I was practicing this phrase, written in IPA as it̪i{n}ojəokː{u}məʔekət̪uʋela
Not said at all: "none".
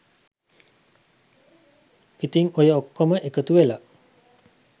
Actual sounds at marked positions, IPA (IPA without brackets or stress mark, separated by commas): ŋ, o